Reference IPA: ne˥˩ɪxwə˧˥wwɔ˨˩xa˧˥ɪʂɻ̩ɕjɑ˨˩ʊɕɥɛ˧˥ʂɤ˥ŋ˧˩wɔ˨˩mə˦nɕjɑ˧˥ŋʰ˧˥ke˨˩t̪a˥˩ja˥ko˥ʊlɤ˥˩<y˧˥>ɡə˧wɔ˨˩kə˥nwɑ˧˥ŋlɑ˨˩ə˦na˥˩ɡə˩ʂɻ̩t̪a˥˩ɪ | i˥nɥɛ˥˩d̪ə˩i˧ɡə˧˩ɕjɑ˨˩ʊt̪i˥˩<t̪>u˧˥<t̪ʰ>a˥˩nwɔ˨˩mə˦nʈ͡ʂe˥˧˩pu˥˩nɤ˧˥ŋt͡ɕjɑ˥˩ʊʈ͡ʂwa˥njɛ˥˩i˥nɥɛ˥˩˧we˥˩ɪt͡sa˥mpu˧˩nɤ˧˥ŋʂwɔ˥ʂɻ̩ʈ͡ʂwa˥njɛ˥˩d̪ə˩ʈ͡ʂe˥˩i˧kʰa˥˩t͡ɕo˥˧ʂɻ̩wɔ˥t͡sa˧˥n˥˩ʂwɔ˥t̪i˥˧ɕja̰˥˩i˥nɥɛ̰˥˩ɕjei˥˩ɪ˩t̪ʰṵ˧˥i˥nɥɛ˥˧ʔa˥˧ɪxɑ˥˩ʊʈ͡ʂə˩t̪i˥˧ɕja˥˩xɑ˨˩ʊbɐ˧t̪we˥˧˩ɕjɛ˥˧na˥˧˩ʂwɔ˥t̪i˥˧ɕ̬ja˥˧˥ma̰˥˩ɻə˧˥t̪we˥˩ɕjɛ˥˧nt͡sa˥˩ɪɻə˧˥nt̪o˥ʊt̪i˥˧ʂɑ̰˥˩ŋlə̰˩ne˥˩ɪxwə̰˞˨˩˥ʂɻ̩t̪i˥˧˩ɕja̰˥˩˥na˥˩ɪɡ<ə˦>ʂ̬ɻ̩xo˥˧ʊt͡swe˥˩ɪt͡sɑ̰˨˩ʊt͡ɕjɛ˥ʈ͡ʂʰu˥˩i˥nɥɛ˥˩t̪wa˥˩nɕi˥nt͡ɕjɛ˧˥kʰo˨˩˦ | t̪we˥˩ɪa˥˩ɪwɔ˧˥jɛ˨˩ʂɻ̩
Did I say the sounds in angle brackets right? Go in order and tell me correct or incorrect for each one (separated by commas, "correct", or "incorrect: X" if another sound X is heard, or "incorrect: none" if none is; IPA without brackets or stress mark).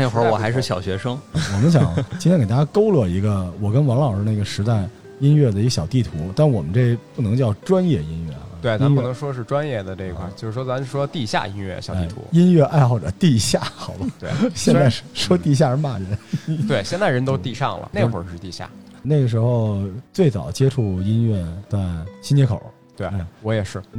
incorrect: i˧˥, incorrect: t̪ʰ, incorrect: t̪, incorrect: ə˩